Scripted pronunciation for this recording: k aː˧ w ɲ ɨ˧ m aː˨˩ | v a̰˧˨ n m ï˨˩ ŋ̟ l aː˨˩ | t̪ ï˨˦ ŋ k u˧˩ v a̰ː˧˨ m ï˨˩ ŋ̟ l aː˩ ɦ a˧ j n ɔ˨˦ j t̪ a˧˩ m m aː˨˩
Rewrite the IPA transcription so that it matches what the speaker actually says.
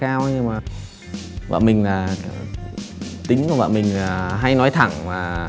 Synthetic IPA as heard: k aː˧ w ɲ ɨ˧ m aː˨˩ | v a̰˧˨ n m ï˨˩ ŋ̟ l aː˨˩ | t̪ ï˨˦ ŋ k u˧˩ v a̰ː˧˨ m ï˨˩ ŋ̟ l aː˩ ɦ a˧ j n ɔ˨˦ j t̪ʰ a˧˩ ŋ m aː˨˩